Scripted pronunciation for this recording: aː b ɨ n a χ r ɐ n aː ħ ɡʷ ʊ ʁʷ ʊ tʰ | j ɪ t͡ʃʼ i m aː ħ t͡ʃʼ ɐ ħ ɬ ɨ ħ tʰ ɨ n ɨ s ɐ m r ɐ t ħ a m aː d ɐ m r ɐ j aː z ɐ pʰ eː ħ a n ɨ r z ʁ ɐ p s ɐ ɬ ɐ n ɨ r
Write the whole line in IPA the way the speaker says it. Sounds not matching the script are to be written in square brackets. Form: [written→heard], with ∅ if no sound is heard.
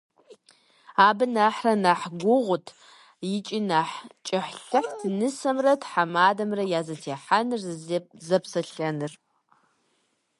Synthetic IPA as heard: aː b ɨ n a [χ→ħ] r ɐ n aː ħ ɡʷ ʊ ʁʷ ʊ tʰ | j ɪ t͡ʃʼ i [m→n] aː ħ t͡ʃʼ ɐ ħ ɬ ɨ ħ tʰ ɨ n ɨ s ɐ m r ɐ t ħ a m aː d ɐ m r ɐ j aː z ɐ [pʰ→tʰ] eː ħ a n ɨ r z [ʁ→z] ɐ p s ɐ ɬ ɐ n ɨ r